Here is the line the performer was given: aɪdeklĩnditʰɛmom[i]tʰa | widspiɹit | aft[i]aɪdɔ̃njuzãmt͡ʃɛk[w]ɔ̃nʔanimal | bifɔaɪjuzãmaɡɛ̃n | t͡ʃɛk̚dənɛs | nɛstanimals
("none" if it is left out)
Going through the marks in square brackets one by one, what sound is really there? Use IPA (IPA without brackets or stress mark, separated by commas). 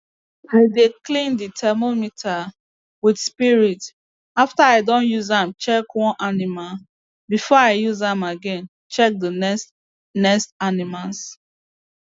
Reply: i, a, w